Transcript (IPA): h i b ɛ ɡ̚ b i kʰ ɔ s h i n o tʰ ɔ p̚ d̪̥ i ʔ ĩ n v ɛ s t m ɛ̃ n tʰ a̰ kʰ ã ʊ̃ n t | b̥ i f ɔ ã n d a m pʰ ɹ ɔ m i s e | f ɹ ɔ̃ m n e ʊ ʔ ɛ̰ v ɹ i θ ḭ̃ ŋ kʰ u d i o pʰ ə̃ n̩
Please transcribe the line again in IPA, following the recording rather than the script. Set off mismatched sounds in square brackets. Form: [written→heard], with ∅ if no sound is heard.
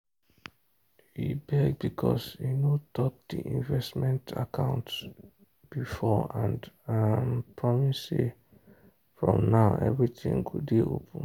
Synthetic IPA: h i b ɛ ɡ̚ b i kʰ ɔ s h i n o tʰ ɔ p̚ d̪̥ i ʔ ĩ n v ɛ s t m ɛ̃ n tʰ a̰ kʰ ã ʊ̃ n t | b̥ i f ɔ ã n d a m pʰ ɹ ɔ m i s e | f ɹ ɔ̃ m n [e→a] ʊ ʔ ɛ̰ v ɹ i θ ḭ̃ ŋ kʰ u d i o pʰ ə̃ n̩